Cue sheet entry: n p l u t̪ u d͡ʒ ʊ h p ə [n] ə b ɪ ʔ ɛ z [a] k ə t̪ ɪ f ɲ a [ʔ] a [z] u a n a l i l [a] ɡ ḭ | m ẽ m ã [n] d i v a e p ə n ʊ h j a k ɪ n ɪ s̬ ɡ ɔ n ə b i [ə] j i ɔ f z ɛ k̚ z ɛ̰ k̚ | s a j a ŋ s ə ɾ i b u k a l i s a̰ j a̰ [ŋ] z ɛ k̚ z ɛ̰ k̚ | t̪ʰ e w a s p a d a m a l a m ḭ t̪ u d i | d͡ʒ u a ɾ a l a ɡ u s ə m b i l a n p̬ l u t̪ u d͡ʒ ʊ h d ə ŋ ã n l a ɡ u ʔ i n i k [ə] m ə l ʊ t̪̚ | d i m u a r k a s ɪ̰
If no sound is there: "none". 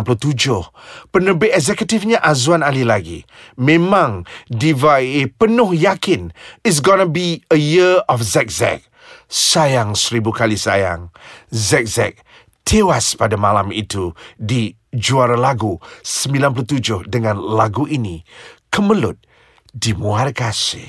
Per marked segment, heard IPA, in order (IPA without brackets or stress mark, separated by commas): n, ɛ, ʔ, z, a, ŋ, ə, ŋ, ə